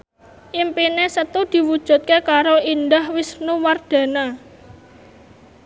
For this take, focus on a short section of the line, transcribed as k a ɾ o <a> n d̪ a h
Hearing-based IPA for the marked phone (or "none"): i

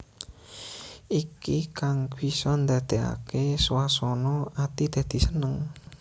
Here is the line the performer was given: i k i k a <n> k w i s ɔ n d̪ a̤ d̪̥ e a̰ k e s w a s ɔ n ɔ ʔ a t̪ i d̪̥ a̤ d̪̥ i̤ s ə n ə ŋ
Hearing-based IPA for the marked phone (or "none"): ŋ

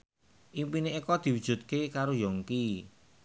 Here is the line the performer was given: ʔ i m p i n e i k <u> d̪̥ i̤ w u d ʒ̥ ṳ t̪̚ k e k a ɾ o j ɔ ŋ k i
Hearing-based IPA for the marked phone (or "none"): ɔ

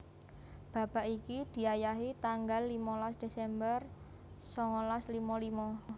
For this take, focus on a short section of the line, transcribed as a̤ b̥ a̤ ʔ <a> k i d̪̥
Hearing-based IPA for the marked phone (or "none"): i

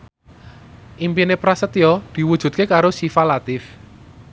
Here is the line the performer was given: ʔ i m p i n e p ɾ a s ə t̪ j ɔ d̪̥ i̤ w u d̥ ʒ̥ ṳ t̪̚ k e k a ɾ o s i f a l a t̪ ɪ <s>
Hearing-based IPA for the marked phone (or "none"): f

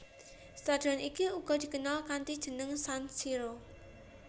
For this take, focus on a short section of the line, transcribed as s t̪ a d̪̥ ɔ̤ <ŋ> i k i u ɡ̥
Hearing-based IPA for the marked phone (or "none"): n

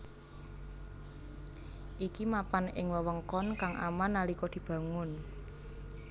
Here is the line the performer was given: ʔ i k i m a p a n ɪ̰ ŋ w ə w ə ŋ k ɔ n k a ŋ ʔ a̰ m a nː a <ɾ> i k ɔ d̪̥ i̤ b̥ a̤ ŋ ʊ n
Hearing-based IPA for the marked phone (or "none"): l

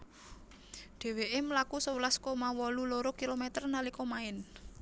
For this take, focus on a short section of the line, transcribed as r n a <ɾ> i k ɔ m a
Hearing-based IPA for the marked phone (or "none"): l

